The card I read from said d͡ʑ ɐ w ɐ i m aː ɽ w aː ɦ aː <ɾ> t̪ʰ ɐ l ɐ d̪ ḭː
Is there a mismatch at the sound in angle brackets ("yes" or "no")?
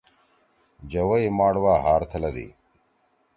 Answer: no